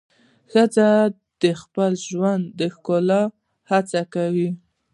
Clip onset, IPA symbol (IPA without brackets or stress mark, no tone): x